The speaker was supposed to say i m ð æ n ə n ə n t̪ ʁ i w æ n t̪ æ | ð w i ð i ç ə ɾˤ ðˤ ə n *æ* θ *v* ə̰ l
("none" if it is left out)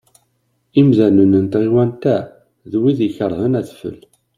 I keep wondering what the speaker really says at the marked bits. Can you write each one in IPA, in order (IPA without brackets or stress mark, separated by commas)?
æ, f